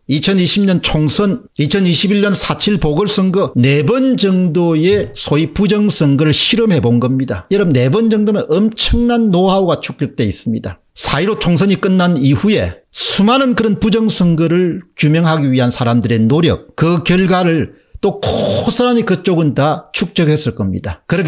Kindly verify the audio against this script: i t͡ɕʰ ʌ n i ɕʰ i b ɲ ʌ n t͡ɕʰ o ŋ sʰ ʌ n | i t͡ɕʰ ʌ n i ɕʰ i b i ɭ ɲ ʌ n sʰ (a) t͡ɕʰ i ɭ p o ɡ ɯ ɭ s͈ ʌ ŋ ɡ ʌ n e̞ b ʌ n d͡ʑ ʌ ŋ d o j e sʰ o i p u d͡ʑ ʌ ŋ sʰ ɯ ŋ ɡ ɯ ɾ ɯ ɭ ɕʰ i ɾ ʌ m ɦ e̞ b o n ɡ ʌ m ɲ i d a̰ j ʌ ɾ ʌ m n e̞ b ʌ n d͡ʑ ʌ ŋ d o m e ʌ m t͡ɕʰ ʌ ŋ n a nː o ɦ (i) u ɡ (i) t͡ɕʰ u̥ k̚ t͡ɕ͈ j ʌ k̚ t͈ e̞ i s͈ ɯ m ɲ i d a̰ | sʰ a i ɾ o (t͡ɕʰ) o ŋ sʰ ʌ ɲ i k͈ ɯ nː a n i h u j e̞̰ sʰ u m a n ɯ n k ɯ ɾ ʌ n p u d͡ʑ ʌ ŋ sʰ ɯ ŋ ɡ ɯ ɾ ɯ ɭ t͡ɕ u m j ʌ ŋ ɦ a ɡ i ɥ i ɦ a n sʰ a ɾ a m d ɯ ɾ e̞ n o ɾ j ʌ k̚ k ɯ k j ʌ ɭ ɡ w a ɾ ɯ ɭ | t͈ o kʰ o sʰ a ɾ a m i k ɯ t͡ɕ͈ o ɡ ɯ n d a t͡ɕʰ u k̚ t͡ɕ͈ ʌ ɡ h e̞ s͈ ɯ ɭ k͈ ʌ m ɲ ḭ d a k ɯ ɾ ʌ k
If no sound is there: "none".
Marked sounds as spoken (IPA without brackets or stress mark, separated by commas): a, a, a, t͡ɕʰ